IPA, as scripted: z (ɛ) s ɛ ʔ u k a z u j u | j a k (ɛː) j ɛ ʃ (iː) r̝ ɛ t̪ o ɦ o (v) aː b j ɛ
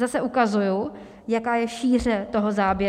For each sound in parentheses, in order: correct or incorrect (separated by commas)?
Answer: incorrect, incorrect, correct, incorrect